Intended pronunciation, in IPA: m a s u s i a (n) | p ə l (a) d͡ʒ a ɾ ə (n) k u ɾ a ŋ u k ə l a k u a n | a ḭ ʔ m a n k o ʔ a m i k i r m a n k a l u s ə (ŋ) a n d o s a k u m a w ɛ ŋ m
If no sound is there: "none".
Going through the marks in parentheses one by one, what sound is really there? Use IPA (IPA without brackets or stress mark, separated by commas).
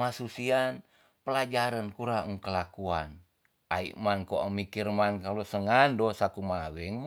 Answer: n, a, n, ŋ